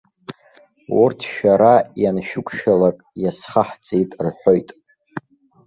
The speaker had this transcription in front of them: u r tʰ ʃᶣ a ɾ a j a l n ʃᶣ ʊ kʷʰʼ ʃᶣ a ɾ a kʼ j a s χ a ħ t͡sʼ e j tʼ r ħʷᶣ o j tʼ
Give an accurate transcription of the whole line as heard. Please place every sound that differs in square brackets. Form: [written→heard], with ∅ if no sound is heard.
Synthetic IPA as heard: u r tʰ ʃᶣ a ɾ a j a [l→∅] n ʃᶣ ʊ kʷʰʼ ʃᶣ a [ɾ→l] a kʼ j a s χ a ħ t͡sʼ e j tʼ r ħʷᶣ o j tʼ